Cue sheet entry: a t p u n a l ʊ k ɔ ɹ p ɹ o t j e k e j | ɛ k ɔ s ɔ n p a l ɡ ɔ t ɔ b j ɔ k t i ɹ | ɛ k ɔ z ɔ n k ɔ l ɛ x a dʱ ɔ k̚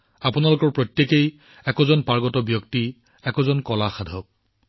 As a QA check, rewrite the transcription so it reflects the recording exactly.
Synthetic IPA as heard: a p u n a l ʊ k ɔ ɹ p ɹ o t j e k e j | ɛ k ɔ z ɔ n p a ɹ ɡ ɔ t ɔ b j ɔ k t i | ɛ k ɔ z ɔ n k ɔ l a x a dʱ ɔ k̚